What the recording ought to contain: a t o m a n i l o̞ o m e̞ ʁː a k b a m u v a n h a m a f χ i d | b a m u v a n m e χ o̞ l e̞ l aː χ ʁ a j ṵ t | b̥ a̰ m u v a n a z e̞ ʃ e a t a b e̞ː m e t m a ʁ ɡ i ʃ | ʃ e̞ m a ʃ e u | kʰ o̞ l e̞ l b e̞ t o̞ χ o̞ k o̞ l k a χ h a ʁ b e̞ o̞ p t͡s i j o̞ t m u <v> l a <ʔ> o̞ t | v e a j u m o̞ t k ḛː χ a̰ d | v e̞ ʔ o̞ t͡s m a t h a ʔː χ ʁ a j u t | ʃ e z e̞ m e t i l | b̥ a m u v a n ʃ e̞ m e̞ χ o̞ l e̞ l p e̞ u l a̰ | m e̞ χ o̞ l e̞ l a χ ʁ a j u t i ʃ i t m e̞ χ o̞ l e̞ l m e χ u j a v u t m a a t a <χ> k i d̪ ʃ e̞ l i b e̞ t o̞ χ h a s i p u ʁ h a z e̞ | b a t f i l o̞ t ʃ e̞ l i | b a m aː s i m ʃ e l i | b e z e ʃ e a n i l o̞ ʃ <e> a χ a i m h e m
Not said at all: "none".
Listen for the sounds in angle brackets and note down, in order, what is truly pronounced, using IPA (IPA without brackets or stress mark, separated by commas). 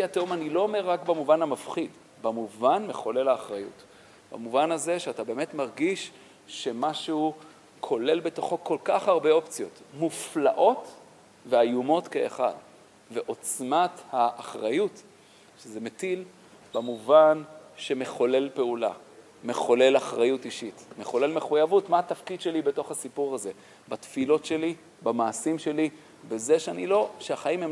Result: f, ʔ, f, e